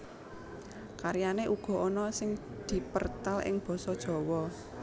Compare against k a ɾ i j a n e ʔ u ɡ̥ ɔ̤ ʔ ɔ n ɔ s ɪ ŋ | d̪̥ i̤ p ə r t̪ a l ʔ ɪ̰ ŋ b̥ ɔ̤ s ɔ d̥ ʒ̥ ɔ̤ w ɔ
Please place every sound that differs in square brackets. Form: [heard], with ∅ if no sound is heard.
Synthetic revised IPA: k a ɾ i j a n e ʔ u ɡ̥ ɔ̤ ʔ ɔ n ɔ s ɪ ŋ | d̪̥ i̤ p ə r t̪ a l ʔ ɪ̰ ŋ b̥ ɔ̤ s ɔ d̥ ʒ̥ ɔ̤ w ɔ